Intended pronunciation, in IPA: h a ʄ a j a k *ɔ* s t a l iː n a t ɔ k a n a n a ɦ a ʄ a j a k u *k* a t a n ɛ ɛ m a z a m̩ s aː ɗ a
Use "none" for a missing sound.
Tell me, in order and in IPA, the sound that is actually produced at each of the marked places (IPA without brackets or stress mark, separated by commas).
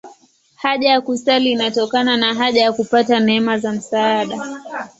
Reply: u, p